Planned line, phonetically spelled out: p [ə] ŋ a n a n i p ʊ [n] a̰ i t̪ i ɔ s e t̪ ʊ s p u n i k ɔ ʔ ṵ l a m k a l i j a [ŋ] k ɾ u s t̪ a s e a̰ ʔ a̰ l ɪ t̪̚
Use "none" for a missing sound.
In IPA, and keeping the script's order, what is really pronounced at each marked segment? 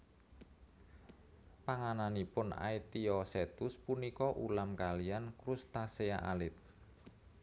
a, n, n

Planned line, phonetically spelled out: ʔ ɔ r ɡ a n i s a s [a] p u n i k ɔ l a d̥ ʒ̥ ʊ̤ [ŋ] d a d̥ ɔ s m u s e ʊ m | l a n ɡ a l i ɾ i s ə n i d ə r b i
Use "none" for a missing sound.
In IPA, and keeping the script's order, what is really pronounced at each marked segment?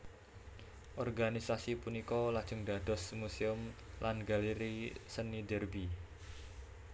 i, ŋ

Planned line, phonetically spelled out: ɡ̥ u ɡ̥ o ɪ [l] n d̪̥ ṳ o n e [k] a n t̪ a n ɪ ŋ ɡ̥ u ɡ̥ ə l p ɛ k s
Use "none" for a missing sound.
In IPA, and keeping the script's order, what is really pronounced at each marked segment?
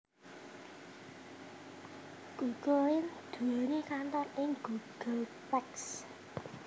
none, k

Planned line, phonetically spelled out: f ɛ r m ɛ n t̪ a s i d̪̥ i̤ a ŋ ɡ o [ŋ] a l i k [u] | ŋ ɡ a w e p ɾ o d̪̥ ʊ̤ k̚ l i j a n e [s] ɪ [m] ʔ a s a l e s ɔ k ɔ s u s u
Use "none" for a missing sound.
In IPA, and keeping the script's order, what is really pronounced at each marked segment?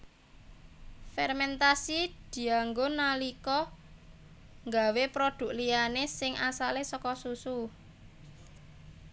n, ɔ, s, ŋ

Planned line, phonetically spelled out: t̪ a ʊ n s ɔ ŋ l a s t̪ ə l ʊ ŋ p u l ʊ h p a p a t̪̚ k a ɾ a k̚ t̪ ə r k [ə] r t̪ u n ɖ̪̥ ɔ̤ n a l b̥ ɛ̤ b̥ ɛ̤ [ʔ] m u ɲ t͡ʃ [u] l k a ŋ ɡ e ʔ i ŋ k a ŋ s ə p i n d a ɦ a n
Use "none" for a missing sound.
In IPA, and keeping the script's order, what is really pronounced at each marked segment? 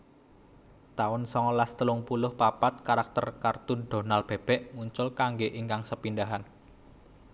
a, ʔ, ʊ

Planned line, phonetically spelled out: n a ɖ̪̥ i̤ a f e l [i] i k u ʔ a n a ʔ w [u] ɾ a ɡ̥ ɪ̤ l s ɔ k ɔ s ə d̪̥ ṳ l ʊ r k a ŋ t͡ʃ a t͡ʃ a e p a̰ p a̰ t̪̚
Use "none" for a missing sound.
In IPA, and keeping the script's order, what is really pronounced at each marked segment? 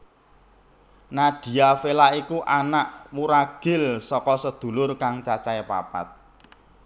a, u

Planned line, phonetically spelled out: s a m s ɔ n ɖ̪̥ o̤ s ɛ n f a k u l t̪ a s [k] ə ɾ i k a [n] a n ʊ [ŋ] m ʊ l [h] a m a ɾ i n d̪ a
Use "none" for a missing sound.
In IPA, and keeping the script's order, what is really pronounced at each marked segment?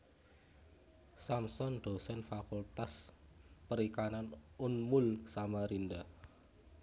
p, n, n, s

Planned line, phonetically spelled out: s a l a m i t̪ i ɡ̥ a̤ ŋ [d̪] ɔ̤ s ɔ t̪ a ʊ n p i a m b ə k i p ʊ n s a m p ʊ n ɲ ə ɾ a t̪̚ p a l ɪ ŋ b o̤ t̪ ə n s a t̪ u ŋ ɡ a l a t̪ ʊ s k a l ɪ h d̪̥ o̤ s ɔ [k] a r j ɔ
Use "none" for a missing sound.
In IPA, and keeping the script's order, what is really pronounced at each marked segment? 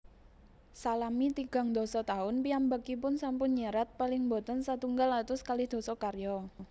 d̪, k

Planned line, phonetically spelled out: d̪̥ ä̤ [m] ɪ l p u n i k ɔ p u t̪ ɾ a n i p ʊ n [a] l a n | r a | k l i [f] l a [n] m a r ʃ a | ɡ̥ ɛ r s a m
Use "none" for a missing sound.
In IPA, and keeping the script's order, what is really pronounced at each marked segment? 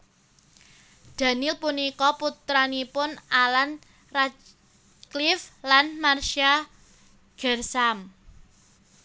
n, a, f, n

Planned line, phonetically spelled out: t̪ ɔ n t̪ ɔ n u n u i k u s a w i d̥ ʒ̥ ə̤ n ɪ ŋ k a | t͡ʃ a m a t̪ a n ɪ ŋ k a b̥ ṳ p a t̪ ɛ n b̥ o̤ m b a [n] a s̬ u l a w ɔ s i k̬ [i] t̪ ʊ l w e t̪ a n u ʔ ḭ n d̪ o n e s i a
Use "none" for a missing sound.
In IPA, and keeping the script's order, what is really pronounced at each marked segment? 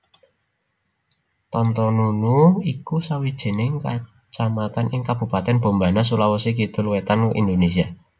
n, i

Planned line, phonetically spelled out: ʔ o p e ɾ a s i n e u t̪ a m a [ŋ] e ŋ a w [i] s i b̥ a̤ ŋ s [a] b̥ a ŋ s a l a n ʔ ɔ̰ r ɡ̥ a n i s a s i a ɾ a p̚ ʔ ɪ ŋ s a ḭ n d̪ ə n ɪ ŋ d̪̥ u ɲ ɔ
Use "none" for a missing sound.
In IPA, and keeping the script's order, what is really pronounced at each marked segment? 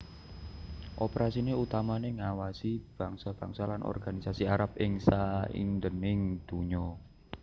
n, a, a

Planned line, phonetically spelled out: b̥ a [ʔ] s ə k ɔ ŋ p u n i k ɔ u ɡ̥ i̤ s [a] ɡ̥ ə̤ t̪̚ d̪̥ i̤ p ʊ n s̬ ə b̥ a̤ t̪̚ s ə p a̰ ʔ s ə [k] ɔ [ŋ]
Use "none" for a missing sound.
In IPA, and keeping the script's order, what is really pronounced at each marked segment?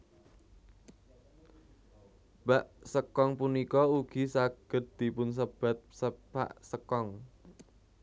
ʔ, a, k, ŋ

